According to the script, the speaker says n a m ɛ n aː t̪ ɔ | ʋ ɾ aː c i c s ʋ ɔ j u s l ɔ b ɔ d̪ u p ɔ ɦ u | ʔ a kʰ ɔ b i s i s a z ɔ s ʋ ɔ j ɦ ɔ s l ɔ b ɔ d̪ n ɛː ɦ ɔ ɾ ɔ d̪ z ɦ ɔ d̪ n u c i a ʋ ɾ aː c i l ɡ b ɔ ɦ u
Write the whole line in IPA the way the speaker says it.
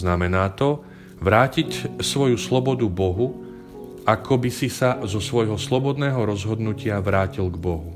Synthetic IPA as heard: n a m ɛ n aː t̪ ɔ | ʋ ɾ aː c i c s ʋ ɔ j u s l ɔ b ɔ d̪ u b ɔ ɦ u | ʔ a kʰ ɔ b i s i s a z ɔ s ʋ ɔ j ɦ ɔ s l ɔ b ɔ d̪ n ɛː ɦ ɔ ɾ ɔ z ɦ ɔ d̪ n u c ɪ a ʋ ɾ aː c i l ɡ b ɔ ɦ u